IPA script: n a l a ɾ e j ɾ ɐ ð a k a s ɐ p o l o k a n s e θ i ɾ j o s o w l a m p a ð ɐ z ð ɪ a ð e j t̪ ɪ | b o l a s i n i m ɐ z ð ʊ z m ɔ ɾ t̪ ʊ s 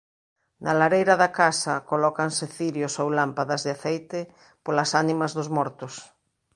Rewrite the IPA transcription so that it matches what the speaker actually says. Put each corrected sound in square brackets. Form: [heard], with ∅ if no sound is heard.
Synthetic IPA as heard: n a l a ɾ e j ɾ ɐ ð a k a s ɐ [k] o l [ɔ] k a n s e θ i ɾ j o s o w l a m p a ð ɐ z ð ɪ a [θ] e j t̪ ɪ | [p] o l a s [a] n i m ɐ z ð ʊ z m ɔ ɾ t̪ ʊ s